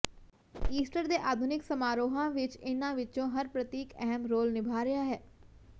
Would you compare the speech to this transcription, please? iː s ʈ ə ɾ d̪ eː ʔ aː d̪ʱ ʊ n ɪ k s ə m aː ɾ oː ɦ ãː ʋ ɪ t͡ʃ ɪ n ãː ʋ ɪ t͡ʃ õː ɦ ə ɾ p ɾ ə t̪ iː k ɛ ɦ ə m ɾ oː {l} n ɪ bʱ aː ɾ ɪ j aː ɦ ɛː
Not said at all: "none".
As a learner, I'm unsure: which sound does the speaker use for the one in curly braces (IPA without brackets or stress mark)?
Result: l